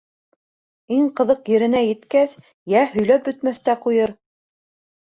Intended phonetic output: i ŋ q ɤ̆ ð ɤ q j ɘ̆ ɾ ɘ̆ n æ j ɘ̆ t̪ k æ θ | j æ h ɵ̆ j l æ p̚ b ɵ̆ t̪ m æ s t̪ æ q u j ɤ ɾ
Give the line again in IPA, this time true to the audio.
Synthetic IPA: i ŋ q ɤ̆ ð ɤ q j ɘ̆ ɾ ɘ̆ n æ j ɘ̆ t̪ k æ θ | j æ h ɵ̆ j l æ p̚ b ɵ̆ t̪ m æ θ t̪ æ q u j ɤ ɾ

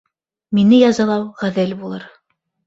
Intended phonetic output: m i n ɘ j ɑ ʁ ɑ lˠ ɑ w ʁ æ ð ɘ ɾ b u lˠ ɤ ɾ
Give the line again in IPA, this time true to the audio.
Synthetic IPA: m i n ɘ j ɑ z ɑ lˠ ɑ w ʁ æ ð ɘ l b u lˠ ɤ ɾ

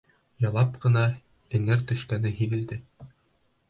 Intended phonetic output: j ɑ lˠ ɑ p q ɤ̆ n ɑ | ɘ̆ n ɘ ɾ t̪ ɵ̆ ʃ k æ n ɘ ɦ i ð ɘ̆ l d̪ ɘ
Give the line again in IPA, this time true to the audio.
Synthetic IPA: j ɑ lˠ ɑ p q ɤ̆ n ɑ | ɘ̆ ŋ ɘ ɾ t̪ ɵ̆ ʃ k æ n ɘ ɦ i ð ɘ̆ l d̪ ɘ

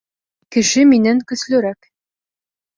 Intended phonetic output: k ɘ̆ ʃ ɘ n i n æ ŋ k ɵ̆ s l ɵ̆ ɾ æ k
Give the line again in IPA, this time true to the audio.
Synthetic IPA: k ɘ̆ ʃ ɘ m i n æ ŋ k ɵ̆ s l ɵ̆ ɾ æ k

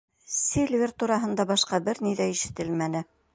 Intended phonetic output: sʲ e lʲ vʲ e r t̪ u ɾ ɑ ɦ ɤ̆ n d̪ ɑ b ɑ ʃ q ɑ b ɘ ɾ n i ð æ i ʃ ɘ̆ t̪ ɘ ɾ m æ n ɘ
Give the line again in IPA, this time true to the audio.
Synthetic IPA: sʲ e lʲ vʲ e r t̪ u ɾ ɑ ɦ ɤ̆ n d̪ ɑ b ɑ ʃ q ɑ b ɘ ɾ n i ð æ i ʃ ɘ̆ t̪ ɘ l m æ n ɘ

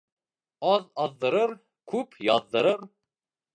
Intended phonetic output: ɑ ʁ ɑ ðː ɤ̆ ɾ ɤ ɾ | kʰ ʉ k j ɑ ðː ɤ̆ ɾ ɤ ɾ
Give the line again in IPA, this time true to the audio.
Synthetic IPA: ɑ ð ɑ ðː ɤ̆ ɾ ɤ ɾ | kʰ ʉ p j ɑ ðː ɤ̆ ɾ ɤ ɾ

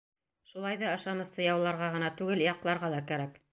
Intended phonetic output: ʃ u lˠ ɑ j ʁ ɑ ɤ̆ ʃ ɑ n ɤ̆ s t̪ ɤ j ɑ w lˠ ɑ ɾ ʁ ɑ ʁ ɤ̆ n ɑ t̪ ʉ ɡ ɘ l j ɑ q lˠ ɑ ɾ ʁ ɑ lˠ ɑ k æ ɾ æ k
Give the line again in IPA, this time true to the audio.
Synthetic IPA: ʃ u lˠ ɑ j ð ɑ ɤ̆ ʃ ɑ n ɤ̆ s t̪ ɤ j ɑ w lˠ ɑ ɾ ʁ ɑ ʁ ɤ̆ n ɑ t̪ ʉ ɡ ɘ l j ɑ q lˠ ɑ ɾ ʁ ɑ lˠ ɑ k æ ɾ æ k

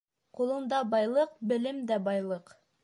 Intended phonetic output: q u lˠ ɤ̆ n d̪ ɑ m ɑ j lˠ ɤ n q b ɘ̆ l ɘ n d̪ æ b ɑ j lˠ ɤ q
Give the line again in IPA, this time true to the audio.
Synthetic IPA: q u lˠ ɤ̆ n d̪ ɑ b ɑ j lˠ ɤ q b ɘ̆ l ɘ m d̪ æ b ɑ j lˠ ɤ q

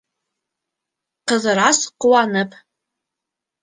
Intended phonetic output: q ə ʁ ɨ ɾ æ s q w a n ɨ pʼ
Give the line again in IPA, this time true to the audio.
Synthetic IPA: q ə z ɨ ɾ a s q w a n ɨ pʼ

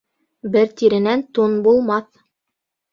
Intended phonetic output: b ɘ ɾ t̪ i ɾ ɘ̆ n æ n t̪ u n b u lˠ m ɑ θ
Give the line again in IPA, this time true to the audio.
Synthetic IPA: b ɘ ɾ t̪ i ɾ ɘ̆ n æ n t̪ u n b u lˠ m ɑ θ

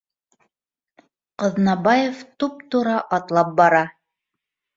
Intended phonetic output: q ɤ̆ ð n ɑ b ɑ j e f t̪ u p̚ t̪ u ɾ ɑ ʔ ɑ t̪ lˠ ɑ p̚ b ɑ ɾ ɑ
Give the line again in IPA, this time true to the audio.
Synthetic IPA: q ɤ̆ ð n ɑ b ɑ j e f t̪ u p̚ t̪ u ɾ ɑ ʔ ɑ t̪ lˠ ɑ p̚ b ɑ ɾ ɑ

